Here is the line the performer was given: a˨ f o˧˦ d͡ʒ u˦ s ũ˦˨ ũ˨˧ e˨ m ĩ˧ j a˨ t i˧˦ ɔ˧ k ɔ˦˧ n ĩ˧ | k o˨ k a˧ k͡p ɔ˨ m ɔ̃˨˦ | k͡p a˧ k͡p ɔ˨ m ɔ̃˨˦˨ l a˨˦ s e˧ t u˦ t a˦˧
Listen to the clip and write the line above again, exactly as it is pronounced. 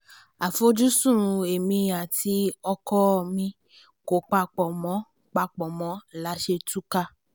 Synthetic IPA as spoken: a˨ f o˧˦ d͡ʒ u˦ s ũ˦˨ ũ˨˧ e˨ m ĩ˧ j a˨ t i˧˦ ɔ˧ k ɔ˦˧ m ĩ˧ | k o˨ k͡p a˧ k͡p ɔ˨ m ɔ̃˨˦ | k͡p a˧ k͡p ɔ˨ m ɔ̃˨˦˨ l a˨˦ ʃ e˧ t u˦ k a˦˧

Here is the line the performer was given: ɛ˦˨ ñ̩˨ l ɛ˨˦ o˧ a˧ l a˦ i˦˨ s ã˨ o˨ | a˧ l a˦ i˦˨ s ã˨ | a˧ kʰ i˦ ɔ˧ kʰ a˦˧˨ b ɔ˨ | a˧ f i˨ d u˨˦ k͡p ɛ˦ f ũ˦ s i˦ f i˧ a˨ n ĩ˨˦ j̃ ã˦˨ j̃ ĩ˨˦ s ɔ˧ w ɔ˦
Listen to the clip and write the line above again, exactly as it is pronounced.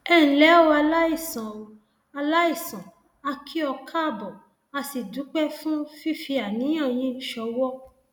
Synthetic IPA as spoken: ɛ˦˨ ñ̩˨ l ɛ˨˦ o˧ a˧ l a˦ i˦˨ s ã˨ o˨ | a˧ l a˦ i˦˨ s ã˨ | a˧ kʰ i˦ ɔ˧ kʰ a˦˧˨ b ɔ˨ | a˧ s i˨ d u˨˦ k͡p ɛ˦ f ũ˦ f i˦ f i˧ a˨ n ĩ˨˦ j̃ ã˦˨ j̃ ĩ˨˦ ʃ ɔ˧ w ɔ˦

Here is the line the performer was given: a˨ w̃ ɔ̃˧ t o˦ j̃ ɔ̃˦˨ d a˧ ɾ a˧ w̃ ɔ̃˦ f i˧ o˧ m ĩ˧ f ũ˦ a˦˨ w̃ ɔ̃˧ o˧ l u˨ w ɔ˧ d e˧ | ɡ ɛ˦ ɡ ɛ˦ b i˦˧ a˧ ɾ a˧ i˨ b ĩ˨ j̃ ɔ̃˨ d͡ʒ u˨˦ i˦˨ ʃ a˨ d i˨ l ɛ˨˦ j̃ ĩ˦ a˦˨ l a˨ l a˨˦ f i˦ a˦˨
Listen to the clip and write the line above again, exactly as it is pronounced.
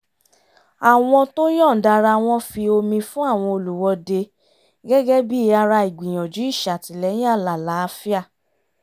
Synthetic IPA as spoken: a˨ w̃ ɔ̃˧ t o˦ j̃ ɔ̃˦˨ d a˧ ɾ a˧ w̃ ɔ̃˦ f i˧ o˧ m ĩ˧ f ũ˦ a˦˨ w̃ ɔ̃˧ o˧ l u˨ w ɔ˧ d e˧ | ɡ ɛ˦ ɡ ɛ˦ b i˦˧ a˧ ɾ a˧ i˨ ɡ͡b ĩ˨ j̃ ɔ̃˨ d͡ʒ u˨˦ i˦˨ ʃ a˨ t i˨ l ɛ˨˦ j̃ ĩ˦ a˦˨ l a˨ l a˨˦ f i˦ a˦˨

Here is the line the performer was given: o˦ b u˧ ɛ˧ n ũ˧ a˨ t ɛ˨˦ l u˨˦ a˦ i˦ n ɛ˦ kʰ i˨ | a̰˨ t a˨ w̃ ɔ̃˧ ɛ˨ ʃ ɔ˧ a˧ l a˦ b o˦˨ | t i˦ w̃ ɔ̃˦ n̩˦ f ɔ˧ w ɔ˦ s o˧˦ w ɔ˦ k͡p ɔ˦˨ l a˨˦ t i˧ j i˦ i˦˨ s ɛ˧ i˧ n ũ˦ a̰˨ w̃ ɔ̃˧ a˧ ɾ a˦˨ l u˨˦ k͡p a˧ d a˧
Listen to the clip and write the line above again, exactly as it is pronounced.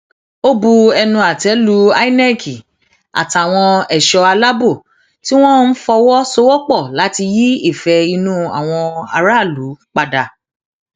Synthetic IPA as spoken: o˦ b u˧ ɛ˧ n ũ˧ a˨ t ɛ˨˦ l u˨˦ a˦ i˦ n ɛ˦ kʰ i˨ | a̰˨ t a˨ w̃ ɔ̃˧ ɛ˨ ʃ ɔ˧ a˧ l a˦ b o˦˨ | t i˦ w̃ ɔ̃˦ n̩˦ f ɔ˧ w ɔ˦ s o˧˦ w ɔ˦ k͡p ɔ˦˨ l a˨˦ t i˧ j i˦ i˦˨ f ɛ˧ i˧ n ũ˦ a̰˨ w̃ ɔ̃˧ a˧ ɾ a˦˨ l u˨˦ k͡p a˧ d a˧

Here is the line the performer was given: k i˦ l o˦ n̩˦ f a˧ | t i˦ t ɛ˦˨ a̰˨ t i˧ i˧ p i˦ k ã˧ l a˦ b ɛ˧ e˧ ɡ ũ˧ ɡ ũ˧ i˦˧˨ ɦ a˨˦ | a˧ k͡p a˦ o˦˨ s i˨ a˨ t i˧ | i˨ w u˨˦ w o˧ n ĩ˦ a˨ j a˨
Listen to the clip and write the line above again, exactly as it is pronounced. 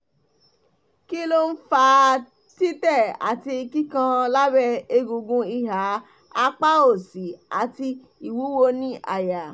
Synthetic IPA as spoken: k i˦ l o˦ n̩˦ f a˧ | t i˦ t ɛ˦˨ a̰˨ t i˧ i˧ k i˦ k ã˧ l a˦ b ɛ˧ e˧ ɡ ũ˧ ɡ ũ˧ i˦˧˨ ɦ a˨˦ | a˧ k͡p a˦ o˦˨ s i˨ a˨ t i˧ | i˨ w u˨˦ w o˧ n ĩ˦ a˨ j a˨

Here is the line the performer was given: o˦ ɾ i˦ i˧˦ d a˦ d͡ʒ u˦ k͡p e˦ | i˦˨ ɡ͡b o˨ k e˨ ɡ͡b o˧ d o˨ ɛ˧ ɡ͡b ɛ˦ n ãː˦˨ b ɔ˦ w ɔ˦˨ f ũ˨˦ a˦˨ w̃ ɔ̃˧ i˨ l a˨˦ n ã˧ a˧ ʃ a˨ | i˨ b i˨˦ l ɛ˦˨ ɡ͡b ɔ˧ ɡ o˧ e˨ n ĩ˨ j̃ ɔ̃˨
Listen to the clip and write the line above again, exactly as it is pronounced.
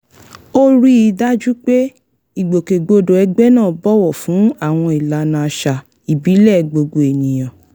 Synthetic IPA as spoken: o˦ ɾ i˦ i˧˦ d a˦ d͡ʒ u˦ k͡p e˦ | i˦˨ ɡ͡b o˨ k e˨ ɡ͡b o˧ d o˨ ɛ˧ ɡ͡b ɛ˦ n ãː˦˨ b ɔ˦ w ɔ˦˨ f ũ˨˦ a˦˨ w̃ ɔ̃˧ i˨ l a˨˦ n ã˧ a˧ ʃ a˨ | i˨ b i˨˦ l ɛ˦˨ ɡ͡b o˧ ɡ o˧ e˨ n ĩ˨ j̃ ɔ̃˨

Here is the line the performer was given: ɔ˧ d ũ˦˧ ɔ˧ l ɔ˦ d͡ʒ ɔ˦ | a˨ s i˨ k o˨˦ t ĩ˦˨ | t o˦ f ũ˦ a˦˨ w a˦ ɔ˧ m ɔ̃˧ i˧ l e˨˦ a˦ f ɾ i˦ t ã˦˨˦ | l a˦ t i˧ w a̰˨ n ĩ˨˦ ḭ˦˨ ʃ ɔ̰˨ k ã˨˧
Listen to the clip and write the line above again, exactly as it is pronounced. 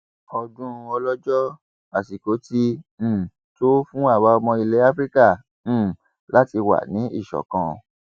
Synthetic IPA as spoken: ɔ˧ d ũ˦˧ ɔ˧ l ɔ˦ d͡ʒ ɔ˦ | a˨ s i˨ k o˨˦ t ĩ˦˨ | t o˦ f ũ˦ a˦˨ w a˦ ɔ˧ m ɔ̃˧ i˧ l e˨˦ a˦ f ɾ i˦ k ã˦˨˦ | l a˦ t i˧ w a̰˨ n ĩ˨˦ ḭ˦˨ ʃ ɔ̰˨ k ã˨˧

